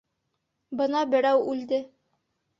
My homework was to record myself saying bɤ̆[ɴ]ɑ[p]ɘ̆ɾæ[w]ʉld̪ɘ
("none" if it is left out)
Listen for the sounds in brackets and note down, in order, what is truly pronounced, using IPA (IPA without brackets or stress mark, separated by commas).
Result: n, b, w